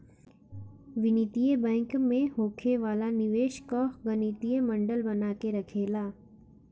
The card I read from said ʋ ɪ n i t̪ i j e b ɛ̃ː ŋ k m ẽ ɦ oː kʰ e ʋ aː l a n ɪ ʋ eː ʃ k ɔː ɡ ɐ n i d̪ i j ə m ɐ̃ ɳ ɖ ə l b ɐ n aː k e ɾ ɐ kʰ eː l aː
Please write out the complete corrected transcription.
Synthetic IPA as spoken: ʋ ɪ n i t̪ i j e b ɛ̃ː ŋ k m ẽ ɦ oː kʰ e ʋ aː l a n ɪ ʋ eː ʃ k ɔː ɡ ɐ n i t̪ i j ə m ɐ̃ ɳ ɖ ə l b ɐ n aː k e ɾ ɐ kʰ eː l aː